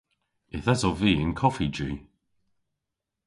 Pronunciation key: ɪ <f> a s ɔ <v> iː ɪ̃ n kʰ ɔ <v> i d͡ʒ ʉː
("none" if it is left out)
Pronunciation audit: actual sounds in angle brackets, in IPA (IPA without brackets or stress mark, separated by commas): θ, v, f